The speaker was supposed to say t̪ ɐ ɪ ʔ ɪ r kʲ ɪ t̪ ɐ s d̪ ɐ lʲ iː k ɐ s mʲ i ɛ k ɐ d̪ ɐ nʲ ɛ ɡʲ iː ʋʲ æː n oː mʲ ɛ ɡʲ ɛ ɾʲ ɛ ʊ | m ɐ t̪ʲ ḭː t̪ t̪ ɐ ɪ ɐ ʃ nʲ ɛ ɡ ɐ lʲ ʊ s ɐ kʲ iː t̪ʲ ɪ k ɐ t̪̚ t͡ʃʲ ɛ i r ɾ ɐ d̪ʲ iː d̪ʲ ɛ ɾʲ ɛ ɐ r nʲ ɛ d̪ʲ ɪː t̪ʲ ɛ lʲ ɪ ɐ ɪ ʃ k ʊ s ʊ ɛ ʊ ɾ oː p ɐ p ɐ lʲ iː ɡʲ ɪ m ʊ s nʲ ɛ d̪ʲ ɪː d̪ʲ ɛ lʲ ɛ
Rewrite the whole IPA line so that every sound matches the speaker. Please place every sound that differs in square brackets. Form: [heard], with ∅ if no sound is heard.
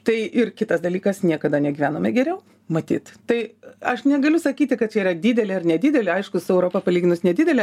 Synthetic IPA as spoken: t̪ ɐ ɪ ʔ ɪ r kʲ ɪ t̪ ɐ s d̪ ɐ lʲ iː k ɐ s [nʲ] i ɛ k ɐ d̪ ɐ nʲ ɛ ɡʲ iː ʋʲ æː n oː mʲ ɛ ɡʲ ɛ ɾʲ ɛ ʊ | m ɐ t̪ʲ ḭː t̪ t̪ ɐ ɪ ɐ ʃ nʲ ɛ ɡ ɐ lʲ ʊ s ɐ kʲ iː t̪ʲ ɪ k ɐ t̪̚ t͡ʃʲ ɛ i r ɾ ɐ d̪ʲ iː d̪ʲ ɛ [lʲ] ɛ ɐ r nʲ ɛ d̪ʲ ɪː [d̪ʲ] ɛ lʲ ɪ ɐ ɪ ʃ k ʊ s ʊ ɛ ʊ ɾ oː p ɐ p ɐ lʲ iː ɡʲ ɪ [n] ʊ s nʲ ɛ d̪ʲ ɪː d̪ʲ ɛ lʲ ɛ